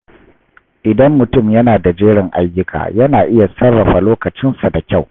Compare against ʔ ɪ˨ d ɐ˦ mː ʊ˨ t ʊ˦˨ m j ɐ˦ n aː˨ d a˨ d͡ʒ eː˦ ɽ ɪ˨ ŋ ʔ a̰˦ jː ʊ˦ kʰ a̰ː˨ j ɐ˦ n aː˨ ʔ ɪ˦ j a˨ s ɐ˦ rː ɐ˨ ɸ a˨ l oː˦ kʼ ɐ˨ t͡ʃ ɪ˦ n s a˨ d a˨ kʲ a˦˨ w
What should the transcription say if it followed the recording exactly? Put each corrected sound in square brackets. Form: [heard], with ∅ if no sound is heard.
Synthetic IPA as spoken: ʔ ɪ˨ d ɐ˦ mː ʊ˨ t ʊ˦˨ m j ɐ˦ n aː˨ d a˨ d͡ʒ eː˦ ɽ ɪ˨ ŋ ʔ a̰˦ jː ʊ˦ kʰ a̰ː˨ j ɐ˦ n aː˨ ʔ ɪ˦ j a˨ s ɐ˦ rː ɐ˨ ɸ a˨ l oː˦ [k] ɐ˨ t͡ʃ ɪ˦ n s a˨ d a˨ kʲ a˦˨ w